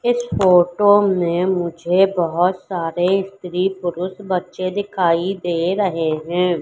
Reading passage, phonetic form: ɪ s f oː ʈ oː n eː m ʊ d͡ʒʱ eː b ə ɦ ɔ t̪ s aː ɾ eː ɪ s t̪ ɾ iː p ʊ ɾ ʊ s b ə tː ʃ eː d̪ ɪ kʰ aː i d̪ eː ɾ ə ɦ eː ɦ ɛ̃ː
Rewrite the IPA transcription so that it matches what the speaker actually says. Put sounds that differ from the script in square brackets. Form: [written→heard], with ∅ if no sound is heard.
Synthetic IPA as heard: ɪ s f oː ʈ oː n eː m ʊ d͡ʒʱ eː b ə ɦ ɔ t̪ s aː ɾ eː ɪ s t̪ ɾ iː p ʊ ɾ ʊ s b ə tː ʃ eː d̪ ɪ kʰ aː i d̪ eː ɾ ə ɦ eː ɦ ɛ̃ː